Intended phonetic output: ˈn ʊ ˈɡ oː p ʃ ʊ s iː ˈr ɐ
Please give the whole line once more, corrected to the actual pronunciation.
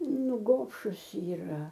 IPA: ˈn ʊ ˈɡ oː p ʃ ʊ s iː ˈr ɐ